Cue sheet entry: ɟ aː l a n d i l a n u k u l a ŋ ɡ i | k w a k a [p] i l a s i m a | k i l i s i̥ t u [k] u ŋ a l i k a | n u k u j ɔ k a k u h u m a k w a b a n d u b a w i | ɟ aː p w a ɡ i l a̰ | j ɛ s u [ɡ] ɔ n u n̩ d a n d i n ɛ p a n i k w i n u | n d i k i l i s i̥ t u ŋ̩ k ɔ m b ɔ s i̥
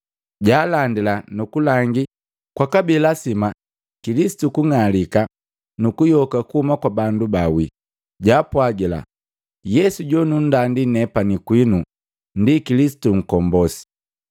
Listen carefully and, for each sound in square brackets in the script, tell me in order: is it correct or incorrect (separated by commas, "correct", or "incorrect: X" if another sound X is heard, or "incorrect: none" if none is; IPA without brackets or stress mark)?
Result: incorrect: b, correct, incorrect: ɟ